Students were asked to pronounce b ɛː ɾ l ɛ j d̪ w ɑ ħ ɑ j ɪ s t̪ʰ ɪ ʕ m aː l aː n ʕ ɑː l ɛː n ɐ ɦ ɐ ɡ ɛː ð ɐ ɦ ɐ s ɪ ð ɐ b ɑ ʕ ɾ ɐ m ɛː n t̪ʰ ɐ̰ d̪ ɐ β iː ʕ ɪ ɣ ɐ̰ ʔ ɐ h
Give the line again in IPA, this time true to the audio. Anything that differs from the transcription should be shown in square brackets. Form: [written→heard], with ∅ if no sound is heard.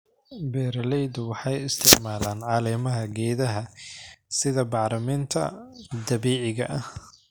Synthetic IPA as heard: b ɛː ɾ l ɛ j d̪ w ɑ ħ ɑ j ɪ s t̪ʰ ɪ ʕ m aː l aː n ʕ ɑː l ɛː [n→m] ɐ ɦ ɐ ɡ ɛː ð ɐ ɦ ɐ s ɪ ð ɐ b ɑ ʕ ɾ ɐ m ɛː n t̪ʰ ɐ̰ d̪ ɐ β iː ʕ ɪ ɣ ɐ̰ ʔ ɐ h